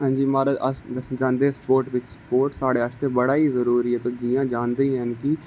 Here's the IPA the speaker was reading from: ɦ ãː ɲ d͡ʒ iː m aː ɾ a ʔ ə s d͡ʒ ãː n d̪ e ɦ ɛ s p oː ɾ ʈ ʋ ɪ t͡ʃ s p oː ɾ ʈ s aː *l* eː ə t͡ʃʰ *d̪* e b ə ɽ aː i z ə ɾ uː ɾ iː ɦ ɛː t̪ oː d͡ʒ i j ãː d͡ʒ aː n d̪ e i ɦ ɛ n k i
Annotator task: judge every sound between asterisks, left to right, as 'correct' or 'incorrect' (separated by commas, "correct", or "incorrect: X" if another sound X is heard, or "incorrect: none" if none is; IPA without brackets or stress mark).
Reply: incorrect: ɽ, incorrect: t̪